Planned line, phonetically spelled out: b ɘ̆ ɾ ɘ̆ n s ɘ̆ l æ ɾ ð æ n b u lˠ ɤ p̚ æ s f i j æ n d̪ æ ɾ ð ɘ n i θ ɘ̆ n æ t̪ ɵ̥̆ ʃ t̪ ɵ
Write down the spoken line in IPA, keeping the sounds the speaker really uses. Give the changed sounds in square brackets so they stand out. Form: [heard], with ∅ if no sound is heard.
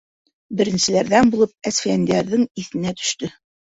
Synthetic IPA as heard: b ɘ̆ ɾ ɘ̆ n s ɘ̆ l æ ɾ ð æ n b u lˠ ɤ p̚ æ s f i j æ n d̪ æ ɾ ð ɘ [ŋ] i θ ɘ̆ n æ t̪ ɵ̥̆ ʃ t̪ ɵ